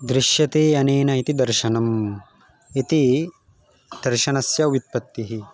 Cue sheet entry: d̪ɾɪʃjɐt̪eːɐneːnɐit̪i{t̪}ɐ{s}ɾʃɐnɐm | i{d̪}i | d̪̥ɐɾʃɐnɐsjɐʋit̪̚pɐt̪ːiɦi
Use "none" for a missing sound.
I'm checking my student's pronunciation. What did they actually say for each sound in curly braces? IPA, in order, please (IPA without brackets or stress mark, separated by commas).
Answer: d̪, none, t̪